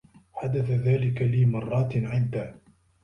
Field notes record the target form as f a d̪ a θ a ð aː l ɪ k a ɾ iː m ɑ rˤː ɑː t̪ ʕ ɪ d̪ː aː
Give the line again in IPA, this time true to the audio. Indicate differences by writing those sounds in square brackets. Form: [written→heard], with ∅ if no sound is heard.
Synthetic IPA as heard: [f→ħ] a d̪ a θ a ð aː l ɪ k a [ɾ→l] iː m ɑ rˤː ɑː t̪ ʕ ɪ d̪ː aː